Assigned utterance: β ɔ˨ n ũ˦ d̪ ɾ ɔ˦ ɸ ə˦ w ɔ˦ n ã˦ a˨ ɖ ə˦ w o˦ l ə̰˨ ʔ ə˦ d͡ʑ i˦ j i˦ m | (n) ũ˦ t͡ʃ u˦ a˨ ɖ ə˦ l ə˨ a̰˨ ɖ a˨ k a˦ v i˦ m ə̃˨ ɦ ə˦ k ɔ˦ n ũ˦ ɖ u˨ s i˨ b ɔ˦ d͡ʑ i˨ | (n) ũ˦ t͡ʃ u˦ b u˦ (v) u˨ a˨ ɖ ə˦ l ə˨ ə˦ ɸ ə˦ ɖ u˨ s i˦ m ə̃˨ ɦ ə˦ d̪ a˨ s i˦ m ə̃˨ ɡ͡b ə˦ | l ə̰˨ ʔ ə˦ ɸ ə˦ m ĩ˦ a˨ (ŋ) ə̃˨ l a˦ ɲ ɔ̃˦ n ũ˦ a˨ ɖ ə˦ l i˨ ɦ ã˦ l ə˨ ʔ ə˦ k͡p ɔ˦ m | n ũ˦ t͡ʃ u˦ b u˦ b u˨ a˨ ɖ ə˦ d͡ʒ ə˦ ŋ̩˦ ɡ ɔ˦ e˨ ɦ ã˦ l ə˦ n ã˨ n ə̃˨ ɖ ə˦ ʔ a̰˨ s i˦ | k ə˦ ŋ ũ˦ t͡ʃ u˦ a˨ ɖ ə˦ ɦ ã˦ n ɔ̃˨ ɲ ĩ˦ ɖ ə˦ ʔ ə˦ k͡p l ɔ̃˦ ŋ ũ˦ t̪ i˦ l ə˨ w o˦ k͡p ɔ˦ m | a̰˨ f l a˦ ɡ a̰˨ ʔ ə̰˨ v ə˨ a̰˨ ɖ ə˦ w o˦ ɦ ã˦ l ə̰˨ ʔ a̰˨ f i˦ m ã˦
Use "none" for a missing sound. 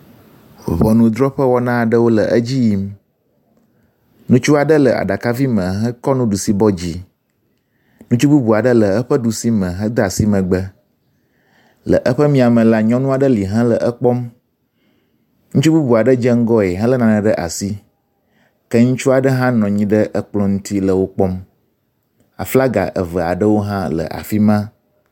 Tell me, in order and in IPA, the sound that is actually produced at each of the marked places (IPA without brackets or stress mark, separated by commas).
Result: n, n, b, m